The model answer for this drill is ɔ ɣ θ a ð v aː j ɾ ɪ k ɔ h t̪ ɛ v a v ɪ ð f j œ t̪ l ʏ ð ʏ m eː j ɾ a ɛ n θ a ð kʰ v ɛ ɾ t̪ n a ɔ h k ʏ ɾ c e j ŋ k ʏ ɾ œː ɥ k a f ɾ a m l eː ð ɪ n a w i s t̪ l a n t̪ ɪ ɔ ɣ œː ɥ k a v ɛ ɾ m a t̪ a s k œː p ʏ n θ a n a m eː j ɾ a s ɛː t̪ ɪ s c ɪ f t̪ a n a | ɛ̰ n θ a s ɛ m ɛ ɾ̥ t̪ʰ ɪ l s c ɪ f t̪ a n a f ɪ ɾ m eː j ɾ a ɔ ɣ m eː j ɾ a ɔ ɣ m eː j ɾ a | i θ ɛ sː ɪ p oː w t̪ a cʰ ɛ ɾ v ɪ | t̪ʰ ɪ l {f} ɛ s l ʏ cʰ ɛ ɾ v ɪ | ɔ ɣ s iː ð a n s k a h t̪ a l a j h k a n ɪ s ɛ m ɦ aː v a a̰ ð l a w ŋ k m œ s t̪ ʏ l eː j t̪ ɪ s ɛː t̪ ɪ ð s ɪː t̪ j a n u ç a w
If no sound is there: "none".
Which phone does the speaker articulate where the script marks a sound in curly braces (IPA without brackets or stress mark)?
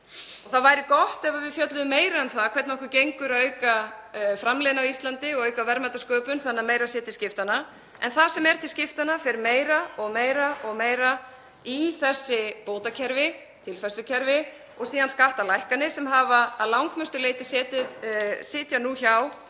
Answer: f